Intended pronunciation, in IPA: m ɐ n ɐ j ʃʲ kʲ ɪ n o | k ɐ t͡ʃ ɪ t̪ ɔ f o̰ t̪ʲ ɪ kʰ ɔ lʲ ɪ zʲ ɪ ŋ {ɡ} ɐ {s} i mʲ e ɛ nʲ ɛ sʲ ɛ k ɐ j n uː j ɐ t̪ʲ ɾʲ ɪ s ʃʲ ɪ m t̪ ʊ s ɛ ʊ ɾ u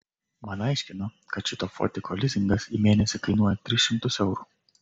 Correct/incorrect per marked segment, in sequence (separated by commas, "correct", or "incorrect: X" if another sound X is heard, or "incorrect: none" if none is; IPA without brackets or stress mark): correct, correct